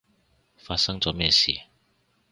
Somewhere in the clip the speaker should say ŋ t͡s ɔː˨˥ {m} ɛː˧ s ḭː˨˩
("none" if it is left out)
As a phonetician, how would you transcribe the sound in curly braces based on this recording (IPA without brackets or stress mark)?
m